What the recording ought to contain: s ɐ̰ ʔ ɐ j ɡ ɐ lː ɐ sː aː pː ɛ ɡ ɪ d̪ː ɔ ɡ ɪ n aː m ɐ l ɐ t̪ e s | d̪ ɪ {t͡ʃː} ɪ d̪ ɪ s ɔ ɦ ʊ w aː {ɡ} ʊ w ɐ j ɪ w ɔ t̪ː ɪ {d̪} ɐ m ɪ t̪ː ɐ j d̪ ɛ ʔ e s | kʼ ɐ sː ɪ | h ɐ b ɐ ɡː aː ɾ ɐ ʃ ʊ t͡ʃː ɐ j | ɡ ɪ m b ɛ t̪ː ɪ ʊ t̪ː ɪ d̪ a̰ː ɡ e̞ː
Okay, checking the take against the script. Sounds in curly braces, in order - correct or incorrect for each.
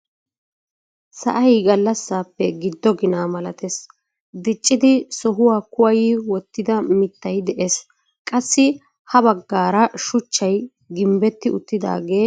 incorrect: t͡ʃʼː, incorrect: k, correct

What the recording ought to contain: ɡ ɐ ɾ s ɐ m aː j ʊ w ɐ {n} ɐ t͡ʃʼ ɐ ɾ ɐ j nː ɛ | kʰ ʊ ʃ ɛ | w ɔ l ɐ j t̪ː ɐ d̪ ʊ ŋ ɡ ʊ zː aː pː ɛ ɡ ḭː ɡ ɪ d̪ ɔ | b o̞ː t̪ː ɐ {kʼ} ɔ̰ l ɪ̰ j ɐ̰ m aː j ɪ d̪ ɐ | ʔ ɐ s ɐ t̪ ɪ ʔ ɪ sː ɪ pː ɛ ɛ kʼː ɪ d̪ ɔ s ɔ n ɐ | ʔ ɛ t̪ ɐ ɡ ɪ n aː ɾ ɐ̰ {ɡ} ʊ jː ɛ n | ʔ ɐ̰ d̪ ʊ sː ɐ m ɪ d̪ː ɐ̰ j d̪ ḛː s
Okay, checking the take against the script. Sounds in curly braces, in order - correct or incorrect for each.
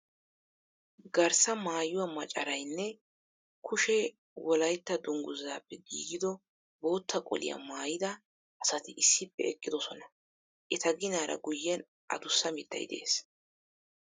incorrect: m, correct, correct

